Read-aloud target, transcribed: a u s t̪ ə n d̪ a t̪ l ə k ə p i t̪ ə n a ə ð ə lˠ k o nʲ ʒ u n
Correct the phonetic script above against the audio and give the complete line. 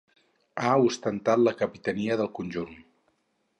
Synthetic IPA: a u s t̪ ə n t̪ a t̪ l ə k ə p i t̪ ə n i ə ð ə lˠ k u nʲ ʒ u n